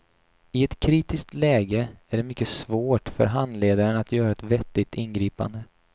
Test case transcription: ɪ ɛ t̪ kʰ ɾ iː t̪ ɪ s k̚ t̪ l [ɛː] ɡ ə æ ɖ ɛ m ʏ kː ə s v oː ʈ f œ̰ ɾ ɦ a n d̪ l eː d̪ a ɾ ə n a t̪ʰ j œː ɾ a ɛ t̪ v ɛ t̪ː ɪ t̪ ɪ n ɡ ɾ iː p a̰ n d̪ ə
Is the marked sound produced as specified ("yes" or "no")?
yes